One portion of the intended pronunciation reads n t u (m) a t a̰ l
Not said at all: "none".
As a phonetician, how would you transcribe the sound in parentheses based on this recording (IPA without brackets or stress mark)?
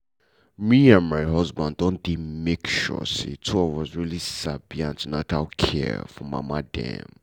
n